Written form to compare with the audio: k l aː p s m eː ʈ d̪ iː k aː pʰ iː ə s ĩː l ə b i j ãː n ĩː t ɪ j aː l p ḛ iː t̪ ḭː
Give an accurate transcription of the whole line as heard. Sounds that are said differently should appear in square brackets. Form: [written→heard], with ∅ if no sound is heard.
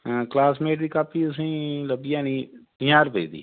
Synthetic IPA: k l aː [p→∅] s m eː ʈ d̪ iː k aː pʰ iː ə s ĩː l ə b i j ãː n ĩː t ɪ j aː [l→ɾ] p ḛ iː [t̪→d̪] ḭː